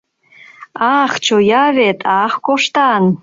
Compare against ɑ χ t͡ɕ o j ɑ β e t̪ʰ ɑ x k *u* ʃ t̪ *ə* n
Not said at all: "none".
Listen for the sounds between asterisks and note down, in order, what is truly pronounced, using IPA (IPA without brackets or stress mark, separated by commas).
o, ɑ